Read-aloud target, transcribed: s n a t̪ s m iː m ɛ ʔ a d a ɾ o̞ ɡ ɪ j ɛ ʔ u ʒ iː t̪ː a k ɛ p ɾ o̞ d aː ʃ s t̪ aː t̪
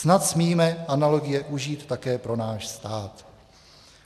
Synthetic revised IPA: s n a t̪ s m iː m ɛ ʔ a n a l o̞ ɡ ɪ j ɛ ʔ u ʒ iː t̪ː a k ɛː p ɾ o̞ n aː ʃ s t̪ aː t̪